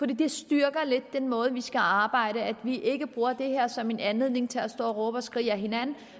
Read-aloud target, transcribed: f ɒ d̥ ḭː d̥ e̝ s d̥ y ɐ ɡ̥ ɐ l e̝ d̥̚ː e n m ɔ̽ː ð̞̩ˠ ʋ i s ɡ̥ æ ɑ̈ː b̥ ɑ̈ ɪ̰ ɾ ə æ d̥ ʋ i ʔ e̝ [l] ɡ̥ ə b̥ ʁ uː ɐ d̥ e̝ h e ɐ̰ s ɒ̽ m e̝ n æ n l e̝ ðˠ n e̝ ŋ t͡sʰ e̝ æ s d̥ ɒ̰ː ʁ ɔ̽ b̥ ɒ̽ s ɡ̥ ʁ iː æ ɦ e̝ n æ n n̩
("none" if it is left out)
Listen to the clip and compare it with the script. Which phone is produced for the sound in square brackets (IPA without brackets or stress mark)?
none